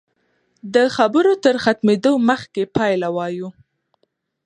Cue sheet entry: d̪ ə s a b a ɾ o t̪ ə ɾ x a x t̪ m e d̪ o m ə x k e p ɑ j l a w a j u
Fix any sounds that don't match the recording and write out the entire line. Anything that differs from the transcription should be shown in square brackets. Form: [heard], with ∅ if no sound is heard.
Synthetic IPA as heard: d̪ ə [x] a b [ə] ɾ o t̪ ə ɾ x a [∅] t̪ m e d̪ o m ə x k e p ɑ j l a w [ɑ] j u